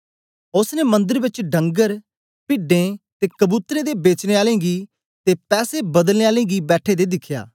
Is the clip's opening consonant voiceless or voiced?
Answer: voiceless